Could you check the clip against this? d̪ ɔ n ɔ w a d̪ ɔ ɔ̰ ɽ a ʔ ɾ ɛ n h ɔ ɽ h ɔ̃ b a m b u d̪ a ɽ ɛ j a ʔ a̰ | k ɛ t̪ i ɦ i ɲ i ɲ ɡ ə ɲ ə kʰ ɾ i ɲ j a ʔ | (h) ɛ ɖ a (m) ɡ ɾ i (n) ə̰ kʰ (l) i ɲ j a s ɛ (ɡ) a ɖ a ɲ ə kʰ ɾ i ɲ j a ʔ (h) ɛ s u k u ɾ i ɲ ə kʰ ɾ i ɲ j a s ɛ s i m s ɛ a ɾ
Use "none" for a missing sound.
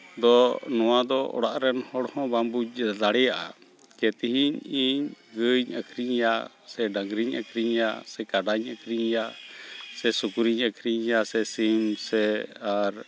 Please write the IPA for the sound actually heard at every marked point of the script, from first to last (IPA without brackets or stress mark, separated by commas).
s, ŋ, ɲ, ɾ, k, s